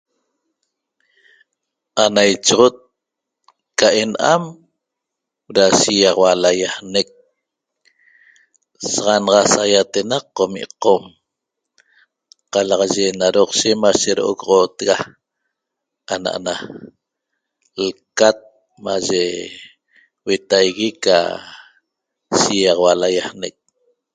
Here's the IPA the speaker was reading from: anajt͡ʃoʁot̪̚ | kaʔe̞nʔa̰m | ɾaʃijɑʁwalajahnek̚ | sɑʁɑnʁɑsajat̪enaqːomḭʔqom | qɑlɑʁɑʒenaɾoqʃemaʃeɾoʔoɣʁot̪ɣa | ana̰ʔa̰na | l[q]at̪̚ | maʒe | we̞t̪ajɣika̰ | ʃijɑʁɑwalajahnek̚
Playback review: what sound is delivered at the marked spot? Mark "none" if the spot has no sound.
k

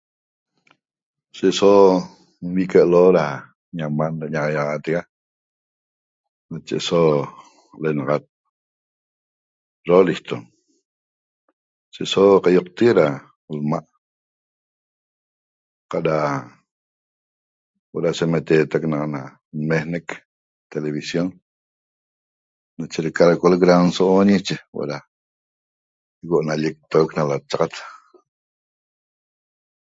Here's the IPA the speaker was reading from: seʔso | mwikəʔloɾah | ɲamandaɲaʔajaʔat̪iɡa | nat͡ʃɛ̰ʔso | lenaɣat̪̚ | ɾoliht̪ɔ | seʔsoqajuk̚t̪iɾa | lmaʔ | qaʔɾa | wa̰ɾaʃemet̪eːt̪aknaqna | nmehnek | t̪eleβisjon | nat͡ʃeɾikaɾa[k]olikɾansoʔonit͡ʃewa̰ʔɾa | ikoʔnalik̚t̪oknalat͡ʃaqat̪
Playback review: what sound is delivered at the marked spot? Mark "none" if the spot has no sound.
k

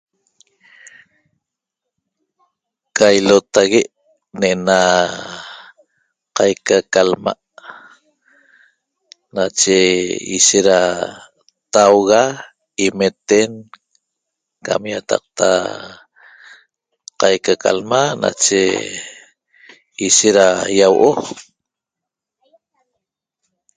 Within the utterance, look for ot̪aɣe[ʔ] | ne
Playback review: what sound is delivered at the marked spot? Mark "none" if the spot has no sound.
ʔ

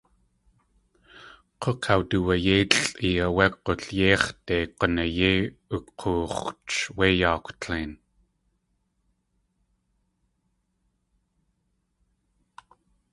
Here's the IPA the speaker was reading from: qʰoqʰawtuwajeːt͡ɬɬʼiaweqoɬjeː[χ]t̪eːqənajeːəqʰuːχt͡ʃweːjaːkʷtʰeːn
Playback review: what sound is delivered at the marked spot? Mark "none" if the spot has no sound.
χ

